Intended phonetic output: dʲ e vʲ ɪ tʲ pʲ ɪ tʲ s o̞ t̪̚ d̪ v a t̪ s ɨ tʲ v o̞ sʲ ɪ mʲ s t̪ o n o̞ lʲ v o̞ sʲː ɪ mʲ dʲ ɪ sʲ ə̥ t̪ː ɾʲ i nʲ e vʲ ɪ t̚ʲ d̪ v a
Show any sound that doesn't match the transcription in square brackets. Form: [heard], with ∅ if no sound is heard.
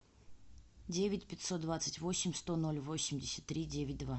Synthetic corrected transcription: dʲ e vʲ ɪ tʲ pʲ ɪ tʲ s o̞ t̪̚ d̪ v a t̪ s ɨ tʲ v o̞ sʲ ɪ mʲ s t̪ o n o̞ lʲ v o̞ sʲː ɪ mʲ dʲ ɪ sʲ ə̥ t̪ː ɾʲ i [dʲ] e vʲ ɪ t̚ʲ d̪ v a